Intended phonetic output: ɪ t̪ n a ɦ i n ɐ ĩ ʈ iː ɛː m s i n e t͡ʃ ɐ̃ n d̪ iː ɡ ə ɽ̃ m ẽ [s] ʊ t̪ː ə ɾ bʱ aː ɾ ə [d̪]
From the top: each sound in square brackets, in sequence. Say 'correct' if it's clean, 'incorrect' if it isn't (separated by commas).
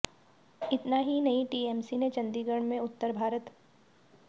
incorrect, incorrect